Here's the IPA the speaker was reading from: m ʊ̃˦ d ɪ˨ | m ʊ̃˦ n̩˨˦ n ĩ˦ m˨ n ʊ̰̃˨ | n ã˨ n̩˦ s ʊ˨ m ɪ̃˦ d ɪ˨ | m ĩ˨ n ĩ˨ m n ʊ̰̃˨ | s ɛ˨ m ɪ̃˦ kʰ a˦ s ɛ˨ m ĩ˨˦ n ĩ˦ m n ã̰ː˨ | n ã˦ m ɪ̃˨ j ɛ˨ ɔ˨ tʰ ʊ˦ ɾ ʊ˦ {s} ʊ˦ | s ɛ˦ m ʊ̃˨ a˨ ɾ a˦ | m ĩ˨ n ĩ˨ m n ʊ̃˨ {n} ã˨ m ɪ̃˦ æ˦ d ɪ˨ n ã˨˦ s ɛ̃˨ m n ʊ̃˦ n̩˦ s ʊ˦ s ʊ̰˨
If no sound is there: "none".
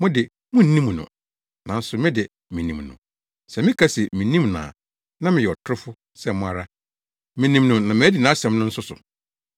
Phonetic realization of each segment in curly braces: f, n

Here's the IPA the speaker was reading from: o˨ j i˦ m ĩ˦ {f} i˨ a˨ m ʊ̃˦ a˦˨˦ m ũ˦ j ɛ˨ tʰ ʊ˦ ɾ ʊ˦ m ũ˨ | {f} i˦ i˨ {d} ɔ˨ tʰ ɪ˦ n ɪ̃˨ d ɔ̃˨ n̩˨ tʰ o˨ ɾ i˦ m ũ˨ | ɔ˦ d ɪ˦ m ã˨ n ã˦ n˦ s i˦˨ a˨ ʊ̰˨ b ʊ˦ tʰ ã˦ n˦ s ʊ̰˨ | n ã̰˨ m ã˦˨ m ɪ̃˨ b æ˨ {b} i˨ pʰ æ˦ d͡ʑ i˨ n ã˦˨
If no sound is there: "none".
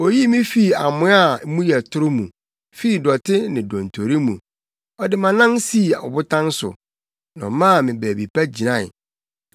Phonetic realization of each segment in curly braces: f, f, d, b

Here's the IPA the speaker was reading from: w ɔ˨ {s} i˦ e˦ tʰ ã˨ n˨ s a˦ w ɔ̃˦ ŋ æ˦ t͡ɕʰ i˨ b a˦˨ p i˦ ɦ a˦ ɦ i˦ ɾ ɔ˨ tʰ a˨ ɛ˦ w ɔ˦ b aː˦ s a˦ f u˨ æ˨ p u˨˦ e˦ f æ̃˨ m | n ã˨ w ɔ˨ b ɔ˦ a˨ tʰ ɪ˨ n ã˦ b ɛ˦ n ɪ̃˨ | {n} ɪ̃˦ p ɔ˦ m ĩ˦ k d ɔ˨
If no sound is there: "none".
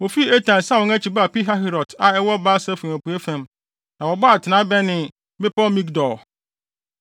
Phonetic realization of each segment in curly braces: f, m

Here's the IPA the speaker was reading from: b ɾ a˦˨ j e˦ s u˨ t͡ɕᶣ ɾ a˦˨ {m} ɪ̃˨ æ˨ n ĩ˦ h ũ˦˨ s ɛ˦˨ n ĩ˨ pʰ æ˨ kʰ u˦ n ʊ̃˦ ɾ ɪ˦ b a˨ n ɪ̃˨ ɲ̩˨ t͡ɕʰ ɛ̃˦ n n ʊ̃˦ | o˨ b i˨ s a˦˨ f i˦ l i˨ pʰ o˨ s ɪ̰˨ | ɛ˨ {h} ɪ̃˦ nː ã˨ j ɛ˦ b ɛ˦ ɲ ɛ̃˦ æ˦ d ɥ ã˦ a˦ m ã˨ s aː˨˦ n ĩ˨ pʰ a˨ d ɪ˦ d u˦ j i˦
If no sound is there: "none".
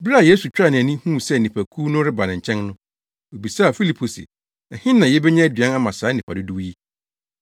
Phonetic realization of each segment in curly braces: n, h

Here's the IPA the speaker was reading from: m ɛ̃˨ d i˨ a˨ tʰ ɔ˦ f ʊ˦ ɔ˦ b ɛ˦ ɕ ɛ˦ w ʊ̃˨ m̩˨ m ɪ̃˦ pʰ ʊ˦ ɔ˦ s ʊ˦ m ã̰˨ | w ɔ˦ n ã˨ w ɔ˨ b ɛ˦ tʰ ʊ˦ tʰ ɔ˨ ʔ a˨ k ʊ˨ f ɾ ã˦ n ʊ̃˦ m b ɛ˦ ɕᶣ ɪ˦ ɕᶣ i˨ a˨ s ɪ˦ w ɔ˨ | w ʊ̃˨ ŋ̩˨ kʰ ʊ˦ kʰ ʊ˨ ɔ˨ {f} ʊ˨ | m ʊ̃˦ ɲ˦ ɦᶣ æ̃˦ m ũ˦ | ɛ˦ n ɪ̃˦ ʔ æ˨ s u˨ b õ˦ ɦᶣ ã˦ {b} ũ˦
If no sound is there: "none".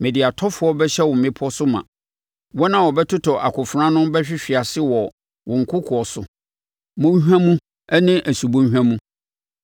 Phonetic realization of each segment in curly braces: s, m

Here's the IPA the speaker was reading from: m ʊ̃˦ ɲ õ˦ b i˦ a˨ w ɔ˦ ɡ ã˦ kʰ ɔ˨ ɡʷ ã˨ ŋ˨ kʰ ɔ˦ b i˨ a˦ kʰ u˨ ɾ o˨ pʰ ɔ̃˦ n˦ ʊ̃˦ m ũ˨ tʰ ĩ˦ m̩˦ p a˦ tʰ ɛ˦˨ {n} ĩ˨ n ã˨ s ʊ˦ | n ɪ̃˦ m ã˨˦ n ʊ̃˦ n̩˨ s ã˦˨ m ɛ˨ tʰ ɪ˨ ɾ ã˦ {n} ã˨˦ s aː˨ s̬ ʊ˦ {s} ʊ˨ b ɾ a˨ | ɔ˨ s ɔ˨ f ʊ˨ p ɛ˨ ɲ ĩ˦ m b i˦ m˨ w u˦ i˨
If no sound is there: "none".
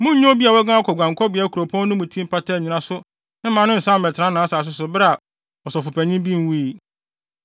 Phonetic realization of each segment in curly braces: ɲ, n, s

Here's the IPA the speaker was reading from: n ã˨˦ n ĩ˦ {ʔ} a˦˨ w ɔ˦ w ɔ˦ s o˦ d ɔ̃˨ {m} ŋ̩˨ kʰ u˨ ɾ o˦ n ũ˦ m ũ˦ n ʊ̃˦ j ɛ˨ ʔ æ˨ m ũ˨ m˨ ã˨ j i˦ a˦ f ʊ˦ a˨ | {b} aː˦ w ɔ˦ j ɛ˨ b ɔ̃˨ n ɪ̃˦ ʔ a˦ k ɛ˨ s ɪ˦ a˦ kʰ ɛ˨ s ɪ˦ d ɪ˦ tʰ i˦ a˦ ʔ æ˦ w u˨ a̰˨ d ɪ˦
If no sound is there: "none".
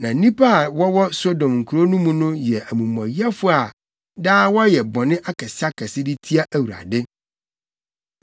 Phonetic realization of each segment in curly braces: p, m, d

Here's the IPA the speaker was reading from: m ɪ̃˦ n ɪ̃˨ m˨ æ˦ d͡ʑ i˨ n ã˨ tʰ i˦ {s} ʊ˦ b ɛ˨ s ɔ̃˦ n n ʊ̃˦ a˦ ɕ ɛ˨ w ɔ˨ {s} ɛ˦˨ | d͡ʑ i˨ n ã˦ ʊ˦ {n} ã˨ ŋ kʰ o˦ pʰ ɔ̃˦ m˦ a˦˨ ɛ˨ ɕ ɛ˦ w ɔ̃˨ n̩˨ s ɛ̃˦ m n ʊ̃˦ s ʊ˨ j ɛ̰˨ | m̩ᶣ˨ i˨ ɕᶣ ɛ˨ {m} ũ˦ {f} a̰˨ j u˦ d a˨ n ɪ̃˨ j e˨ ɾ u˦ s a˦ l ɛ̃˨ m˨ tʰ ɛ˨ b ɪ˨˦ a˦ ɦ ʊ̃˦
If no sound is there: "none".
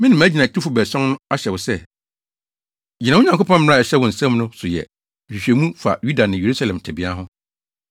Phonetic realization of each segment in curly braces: f, s, ɲ, m, f

